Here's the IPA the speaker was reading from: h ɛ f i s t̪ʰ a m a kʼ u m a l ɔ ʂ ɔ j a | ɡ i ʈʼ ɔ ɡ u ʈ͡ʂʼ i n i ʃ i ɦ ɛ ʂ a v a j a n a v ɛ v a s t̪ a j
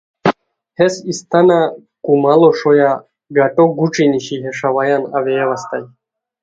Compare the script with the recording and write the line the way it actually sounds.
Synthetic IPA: h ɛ s i s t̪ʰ a n a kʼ u m a l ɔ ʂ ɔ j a | ɡ a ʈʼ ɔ ɡ u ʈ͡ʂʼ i n i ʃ i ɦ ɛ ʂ a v a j a n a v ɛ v a s t̪ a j

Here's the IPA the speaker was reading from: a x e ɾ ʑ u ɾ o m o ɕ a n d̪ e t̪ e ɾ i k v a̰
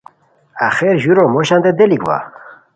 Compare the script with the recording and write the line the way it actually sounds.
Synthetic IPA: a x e ɾ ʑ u ɾ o m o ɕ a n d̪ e d̪ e l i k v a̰

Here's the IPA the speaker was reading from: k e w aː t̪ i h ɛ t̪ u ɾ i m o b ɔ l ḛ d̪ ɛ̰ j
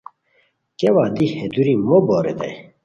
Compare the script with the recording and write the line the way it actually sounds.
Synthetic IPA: k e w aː d̪ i h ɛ d̪ u ɾ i m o b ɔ ɾ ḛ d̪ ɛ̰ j

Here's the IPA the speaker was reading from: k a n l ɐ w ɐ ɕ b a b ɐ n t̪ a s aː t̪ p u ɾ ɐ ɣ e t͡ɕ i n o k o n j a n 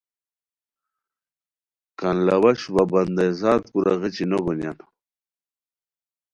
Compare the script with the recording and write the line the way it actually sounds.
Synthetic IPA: k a n l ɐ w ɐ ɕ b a b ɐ n d̪ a z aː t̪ k u ɾ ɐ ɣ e t͡ɕ i n o ɡ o n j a n

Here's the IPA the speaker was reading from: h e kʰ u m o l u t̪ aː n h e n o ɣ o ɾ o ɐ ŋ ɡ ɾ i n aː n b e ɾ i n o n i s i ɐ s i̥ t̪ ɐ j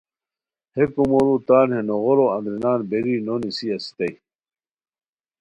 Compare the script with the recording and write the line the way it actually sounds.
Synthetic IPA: h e k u m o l u t̪ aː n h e n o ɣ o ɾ o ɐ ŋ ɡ ɾ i n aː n b e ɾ i n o n i s i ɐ s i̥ t̪ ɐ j

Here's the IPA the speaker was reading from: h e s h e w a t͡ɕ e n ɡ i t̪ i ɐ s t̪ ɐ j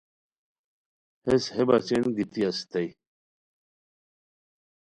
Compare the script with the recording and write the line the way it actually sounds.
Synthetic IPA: h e s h e b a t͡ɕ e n ɡ i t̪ i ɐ s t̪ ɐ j

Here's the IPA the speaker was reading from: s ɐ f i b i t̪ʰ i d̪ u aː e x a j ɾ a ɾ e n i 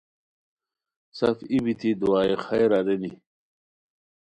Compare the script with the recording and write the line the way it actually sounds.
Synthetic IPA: s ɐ f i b i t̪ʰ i d̪ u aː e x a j ɾ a ɾ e n i

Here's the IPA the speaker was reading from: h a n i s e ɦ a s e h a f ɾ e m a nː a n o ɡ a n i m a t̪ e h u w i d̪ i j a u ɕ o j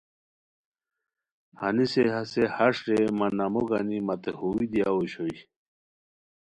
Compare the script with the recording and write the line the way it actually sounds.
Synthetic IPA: h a n i s e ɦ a s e h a ʂ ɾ e m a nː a m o ɡ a n i m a t̪ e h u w i d̪ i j a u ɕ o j

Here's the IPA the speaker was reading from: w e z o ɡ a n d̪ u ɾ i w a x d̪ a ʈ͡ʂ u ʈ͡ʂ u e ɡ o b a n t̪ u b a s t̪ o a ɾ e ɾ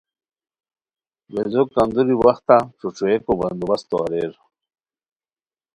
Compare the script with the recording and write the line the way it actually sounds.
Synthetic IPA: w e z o k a n d̪ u ɾ i w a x t̪ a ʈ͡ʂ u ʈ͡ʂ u e k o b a n d̪ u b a s t̪ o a ɾ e ɾ

